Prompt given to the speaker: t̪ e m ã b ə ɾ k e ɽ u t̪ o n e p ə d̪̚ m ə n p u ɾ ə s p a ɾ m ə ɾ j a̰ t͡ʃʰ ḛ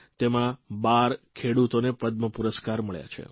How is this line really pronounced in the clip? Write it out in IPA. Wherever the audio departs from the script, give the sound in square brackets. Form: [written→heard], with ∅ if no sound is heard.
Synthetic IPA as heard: t̪ e m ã b [ə→a] ɾ [k→kʰ] e ɽ u t̪ o n e p ə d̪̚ m ə [n→∅] p u ɾ ə s [p→k] a ɾ m ə [ɾ→ɭ] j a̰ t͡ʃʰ ḛ